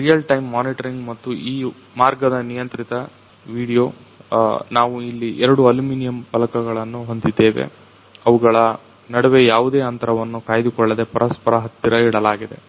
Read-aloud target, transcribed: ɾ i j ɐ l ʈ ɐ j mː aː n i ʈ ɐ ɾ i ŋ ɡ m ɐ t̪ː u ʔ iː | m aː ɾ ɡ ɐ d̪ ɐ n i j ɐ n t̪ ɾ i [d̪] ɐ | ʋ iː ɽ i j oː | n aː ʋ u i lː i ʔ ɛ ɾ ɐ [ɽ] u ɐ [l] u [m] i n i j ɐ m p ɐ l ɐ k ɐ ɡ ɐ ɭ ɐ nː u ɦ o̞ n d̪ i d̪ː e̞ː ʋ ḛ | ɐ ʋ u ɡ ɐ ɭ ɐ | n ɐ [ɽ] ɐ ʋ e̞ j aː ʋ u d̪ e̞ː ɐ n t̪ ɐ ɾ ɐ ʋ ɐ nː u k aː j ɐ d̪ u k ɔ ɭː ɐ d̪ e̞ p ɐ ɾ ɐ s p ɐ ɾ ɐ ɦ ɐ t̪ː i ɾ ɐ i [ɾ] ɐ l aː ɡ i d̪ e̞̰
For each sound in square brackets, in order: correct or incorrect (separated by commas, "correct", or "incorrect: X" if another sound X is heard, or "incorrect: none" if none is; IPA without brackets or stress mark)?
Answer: incorrect: t̪, correct, correct, correct, correct, incorrect: ɽ